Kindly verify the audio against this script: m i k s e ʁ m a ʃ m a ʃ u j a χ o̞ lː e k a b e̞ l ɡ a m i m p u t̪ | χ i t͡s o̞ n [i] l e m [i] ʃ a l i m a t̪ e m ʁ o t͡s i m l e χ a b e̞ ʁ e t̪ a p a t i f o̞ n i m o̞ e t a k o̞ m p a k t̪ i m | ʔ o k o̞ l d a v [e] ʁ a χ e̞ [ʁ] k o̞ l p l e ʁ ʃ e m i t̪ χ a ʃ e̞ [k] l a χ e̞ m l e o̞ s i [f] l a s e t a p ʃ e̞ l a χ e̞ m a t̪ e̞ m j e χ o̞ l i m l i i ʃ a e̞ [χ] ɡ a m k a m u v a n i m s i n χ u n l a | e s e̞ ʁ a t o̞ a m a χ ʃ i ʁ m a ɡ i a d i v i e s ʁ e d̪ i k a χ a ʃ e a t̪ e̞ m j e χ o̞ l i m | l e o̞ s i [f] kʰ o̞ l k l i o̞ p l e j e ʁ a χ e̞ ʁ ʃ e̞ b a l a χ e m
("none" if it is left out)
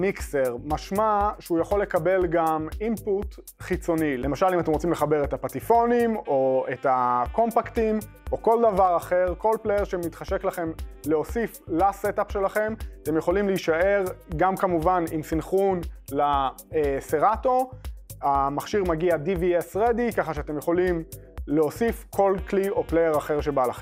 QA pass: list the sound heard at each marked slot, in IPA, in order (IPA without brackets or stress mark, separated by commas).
i, a, a, ʁ, k, f, ʁ, f